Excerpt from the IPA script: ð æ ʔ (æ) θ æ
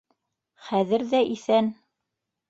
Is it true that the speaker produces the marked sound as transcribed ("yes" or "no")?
no